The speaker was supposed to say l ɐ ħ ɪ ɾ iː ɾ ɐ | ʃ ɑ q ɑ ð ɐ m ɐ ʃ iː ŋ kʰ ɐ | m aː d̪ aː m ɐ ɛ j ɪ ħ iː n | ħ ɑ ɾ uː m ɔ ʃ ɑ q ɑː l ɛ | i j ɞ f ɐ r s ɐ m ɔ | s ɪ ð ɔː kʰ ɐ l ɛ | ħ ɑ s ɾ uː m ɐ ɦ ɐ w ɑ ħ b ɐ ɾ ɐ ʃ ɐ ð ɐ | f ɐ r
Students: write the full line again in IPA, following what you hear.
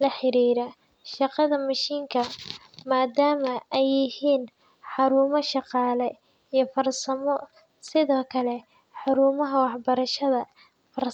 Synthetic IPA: l ɐ ħ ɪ ɾ iː ɾ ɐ | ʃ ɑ q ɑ ð ɐ m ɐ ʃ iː ŋ kʰ ɐ | m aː d̪ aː m ɐ ɛ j ɪ h iː n | ħ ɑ ɾ uː m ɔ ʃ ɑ q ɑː l ɛ | i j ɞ f ɐ r s ɐ m ɔ | s ɪ ð ɔː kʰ ɐ l ɛ | ħ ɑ ɾ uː m ɐ ɦ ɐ w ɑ ħ b ɐ ɾ ɐ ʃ ɐ ð ɐ | f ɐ r